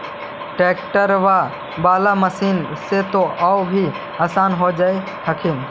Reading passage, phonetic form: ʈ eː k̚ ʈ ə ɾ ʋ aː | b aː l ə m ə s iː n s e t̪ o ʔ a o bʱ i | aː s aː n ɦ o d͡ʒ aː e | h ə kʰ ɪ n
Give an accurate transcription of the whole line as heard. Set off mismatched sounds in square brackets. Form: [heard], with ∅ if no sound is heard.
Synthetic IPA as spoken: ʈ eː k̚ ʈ ə ɾ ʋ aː | b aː l [a] m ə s iː n s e t̪ o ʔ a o bʱ i | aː s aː n ɦ o d͡ʒ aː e | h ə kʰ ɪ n